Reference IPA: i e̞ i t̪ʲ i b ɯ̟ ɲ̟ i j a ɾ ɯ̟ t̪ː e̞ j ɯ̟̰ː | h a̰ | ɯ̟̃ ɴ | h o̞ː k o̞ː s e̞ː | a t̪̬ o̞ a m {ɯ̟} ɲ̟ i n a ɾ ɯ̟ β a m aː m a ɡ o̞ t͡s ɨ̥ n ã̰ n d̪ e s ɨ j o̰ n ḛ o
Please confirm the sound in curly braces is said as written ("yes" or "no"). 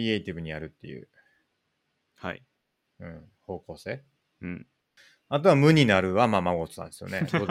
yes